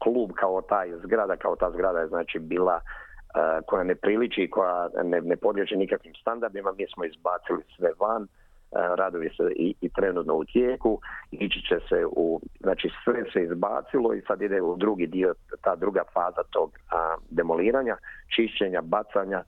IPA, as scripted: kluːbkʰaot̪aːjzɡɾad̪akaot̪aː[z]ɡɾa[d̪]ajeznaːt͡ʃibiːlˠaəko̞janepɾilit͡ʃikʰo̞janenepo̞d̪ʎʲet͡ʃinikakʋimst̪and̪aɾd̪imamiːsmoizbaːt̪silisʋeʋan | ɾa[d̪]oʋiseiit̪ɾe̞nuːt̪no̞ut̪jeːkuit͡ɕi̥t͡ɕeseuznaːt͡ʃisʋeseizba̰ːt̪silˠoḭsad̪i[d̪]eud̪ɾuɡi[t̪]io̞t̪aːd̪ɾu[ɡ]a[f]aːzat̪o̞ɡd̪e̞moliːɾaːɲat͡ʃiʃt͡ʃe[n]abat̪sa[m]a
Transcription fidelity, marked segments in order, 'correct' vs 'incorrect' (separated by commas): correct, correct, correct, correct, incorrect, correct, correct, incorrect, incorrect